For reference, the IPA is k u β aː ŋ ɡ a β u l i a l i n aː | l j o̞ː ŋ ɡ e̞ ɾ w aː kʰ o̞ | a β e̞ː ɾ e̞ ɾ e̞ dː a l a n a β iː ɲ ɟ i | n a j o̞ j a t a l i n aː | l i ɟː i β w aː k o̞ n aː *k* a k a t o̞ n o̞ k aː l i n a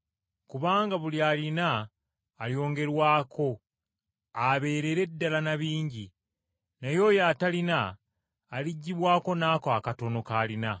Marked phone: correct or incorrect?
correct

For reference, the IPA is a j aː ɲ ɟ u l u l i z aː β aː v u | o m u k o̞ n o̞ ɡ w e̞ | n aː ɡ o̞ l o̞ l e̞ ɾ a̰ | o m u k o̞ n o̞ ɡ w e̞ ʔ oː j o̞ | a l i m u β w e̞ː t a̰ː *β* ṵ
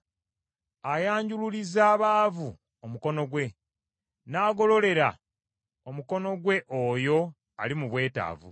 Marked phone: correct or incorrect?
incorrect: v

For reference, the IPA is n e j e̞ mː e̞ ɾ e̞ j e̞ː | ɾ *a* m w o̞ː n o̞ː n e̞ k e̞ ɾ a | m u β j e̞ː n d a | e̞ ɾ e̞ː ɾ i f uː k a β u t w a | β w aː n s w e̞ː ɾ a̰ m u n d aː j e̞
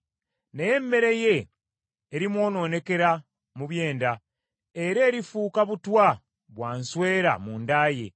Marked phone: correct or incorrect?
incorrect: i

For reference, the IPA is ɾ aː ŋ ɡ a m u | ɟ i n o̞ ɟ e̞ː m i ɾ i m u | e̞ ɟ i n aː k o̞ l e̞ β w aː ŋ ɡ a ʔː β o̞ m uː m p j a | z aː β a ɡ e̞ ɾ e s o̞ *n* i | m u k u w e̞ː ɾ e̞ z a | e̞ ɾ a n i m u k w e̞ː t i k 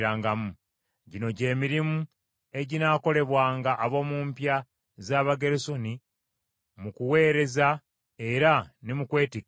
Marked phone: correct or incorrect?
correct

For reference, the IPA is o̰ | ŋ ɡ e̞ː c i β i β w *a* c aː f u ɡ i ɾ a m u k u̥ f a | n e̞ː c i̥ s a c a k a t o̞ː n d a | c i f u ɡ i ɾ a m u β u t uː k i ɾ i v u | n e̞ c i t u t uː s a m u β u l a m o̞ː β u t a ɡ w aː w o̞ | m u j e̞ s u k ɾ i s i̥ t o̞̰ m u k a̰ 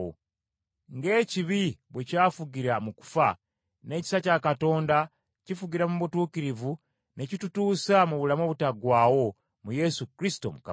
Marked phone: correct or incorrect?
incorrect: e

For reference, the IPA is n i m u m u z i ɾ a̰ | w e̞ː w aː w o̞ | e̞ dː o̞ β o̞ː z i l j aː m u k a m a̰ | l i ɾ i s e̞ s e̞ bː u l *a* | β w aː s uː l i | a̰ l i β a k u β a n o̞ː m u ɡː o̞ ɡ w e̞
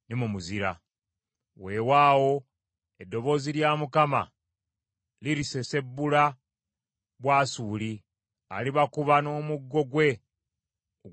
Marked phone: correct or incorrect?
correct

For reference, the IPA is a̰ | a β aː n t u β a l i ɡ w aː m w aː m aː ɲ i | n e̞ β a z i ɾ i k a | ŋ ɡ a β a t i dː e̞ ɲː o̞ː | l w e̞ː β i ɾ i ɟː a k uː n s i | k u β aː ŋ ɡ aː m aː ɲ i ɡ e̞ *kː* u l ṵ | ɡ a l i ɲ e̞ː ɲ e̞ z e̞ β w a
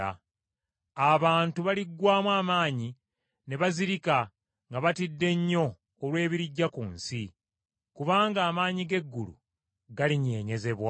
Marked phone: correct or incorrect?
incorrect: ɡː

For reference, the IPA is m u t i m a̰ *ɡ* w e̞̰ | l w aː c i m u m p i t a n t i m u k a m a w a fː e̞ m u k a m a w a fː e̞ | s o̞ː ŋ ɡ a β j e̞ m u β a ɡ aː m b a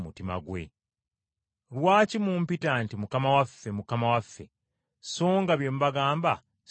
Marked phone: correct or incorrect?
correct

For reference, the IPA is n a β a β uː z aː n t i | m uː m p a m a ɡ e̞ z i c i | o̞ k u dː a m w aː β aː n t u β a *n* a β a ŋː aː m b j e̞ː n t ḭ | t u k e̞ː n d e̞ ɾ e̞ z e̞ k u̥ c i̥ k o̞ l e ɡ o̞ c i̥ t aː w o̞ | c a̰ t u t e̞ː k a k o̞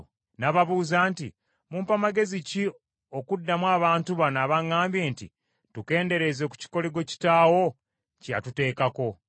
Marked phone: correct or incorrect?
correct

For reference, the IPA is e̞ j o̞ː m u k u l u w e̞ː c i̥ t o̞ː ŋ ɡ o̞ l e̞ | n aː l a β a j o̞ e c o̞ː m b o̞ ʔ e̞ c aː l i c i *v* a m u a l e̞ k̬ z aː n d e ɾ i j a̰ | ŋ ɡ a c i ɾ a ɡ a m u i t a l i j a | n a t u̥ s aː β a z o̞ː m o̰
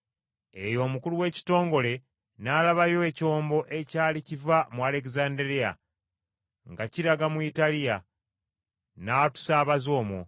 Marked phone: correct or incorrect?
correct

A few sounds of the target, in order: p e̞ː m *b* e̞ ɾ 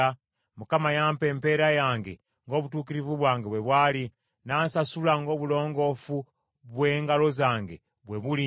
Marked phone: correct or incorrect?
incorrect: p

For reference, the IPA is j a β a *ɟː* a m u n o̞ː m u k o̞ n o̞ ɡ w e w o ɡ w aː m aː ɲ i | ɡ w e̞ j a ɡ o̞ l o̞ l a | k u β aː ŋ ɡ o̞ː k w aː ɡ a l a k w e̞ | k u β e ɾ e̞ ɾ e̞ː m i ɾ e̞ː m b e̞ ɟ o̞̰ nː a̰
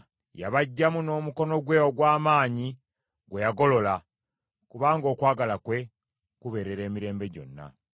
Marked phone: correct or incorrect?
correct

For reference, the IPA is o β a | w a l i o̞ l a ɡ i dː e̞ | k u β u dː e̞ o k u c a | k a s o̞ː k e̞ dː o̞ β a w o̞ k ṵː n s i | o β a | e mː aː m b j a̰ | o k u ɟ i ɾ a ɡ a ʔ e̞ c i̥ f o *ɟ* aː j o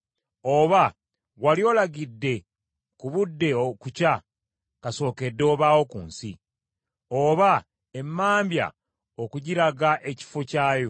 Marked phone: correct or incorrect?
incorrect: c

